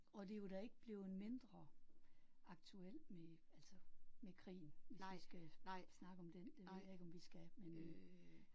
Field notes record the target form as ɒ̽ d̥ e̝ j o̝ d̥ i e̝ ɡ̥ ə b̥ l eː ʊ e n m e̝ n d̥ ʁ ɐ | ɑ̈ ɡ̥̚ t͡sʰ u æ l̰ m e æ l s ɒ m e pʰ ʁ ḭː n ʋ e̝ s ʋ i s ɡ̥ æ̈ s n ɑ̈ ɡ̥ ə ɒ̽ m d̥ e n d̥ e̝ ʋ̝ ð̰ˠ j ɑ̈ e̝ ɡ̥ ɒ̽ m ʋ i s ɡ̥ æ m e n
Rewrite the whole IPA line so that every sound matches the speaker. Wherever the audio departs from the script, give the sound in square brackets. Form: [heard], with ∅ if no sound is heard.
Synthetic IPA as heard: ɒ̽ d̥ e̝ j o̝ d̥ [æ] e̝ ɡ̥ ə b̥ l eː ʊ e n m e̝ n d̥ ʁ ɐ | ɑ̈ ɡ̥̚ t͡sʰ u [e] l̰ m e æ l s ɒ m e [kʰ] ʁ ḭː n ʋ e̝ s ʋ i s ɡ̥ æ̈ s n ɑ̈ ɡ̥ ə ɒ̽ m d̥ e n d̥ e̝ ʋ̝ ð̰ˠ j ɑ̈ e̝ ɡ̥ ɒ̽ m ʋ i s ɡ̥ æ m e n